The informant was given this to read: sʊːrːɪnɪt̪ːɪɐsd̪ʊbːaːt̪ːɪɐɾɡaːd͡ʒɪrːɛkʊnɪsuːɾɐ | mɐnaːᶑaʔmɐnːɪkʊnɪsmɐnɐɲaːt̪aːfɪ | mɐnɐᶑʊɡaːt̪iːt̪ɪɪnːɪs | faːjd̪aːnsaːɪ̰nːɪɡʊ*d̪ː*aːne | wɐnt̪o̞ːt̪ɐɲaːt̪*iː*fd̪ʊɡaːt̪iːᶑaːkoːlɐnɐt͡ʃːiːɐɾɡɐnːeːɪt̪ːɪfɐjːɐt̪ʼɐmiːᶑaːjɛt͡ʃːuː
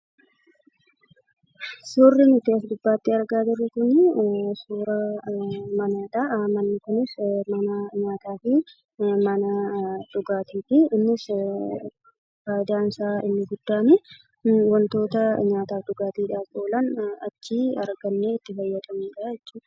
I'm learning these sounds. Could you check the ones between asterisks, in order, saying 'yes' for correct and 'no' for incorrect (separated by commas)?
yes, no